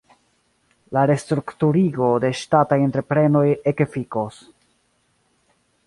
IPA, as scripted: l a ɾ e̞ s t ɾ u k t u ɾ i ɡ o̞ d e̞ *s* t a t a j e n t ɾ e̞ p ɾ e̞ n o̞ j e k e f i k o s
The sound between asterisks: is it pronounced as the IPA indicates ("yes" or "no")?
no